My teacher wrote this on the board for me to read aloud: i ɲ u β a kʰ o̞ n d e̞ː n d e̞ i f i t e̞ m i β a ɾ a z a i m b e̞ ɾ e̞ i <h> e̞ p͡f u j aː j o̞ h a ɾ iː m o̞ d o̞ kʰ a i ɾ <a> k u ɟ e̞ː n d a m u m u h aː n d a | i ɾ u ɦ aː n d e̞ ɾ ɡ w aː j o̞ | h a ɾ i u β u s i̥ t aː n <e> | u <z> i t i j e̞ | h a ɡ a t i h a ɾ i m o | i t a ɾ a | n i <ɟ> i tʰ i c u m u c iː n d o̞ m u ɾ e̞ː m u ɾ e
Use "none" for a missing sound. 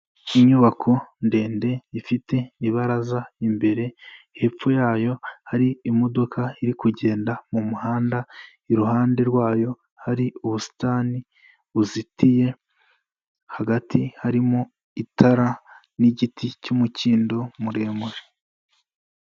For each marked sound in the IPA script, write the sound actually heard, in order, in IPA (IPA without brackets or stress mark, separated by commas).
h, i, i, z, ɟ